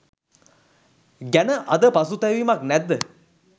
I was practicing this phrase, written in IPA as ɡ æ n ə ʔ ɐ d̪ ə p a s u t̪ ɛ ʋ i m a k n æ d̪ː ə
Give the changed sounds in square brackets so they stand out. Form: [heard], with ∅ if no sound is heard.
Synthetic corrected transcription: ɡ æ n ə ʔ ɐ d̪ ə p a s u t̪ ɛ ʋ i m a k n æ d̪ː ə